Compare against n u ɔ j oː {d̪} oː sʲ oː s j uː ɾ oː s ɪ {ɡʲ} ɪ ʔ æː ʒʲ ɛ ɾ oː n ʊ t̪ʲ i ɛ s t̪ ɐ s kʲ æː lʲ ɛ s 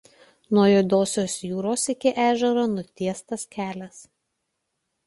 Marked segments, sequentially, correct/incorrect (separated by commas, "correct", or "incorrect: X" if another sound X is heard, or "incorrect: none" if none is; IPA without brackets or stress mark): correct, incorrect: kʲ